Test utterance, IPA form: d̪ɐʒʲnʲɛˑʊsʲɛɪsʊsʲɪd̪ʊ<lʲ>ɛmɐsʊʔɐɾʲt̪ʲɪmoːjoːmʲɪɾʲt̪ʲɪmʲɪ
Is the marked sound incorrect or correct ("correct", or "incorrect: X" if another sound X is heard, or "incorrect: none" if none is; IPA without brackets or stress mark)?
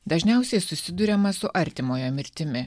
incorrect: ɾʲ